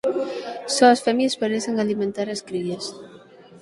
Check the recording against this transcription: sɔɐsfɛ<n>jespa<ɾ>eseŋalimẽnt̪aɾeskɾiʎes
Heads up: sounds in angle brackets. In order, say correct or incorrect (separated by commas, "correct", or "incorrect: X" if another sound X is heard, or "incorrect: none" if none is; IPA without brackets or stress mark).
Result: incorrect: m, correct